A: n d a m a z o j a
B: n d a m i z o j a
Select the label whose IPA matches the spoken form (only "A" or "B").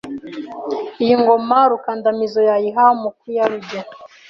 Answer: B